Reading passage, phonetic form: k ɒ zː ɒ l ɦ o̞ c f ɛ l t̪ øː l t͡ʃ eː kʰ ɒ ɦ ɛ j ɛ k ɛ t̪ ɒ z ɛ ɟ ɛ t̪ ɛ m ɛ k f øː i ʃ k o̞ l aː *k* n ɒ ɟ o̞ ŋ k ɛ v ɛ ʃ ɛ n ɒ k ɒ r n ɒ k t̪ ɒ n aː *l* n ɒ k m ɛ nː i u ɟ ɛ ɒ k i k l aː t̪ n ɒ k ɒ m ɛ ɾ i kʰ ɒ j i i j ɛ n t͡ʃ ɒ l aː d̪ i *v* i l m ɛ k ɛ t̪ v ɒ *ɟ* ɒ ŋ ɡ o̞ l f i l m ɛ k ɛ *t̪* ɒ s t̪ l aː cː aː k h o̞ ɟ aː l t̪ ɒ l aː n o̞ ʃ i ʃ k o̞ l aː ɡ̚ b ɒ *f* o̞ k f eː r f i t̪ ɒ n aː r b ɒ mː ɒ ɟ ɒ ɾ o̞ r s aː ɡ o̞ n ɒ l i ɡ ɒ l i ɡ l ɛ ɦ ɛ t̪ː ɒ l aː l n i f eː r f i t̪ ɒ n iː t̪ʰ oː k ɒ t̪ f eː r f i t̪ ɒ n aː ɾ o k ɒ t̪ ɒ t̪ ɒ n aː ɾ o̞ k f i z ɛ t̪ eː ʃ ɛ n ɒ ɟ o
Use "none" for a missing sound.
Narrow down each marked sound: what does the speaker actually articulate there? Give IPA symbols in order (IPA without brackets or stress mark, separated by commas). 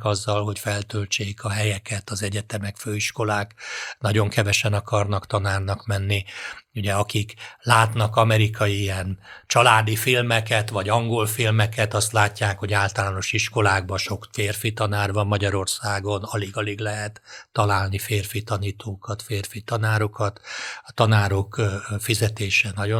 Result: k, r, f, ɟ, t̪, ʃ